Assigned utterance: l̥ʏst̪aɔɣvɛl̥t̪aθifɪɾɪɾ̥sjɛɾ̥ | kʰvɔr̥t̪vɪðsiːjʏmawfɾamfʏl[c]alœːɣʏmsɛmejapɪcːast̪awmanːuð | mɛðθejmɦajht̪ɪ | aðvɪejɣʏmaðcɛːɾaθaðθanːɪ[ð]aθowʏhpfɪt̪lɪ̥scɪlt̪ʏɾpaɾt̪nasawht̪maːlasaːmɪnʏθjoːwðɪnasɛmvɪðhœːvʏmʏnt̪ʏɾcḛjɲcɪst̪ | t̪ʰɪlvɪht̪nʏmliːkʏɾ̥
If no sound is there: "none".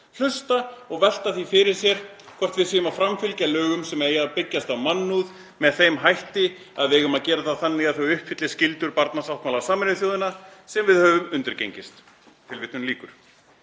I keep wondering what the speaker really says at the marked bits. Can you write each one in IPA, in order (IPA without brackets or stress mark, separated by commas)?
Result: c, ɣ